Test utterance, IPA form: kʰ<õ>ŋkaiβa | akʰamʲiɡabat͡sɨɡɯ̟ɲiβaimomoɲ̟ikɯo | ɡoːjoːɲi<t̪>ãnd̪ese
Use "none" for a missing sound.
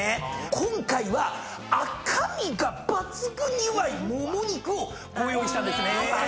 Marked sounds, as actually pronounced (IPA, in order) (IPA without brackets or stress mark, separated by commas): õ, t̪